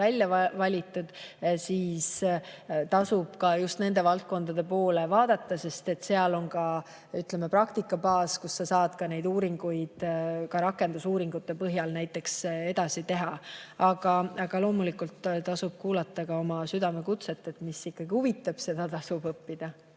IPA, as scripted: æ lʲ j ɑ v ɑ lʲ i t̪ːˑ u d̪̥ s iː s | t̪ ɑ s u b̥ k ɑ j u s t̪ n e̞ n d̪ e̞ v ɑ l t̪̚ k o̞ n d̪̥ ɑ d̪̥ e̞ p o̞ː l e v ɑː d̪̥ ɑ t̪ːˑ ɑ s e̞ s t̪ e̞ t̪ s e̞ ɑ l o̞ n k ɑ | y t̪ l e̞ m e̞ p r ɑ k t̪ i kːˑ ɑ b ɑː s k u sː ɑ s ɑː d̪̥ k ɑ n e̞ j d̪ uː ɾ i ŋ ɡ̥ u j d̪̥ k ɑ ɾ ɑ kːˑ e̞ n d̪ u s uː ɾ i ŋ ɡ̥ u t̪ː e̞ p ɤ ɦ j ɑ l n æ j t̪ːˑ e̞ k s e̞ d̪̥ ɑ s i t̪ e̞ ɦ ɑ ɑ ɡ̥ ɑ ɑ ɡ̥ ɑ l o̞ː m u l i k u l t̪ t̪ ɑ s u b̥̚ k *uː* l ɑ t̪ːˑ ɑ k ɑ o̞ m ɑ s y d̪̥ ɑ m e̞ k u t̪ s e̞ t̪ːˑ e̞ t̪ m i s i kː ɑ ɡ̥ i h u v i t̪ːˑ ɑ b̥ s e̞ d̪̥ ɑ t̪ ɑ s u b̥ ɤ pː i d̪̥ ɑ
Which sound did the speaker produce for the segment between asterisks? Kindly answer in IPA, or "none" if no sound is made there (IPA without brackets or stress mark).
uː